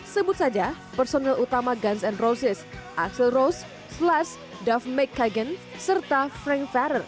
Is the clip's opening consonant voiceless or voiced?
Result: voiceless